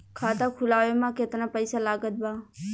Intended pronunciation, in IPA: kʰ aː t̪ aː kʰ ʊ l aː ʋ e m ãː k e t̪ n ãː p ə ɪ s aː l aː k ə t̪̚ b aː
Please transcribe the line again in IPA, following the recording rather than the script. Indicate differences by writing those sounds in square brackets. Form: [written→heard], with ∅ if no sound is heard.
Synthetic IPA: kʰ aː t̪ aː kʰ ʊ l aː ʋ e m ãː k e t̪ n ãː p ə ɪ s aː l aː [k→ɡ] ə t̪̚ b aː